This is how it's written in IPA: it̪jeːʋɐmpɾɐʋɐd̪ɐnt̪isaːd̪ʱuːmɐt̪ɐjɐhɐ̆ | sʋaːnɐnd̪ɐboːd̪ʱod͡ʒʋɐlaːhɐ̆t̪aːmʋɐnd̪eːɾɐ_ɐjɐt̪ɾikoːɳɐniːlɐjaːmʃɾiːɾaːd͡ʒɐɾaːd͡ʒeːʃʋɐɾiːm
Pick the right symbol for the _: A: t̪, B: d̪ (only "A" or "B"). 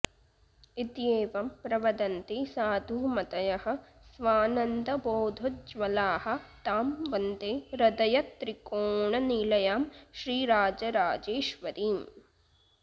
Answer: B